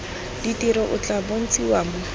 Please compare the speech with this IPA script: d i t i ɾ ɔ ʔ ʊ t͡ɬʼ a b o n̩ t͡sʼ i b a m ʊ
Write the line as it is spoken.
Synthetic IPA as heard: d i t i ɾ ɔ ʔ ʊ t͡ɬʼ a b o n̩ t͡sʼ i w a m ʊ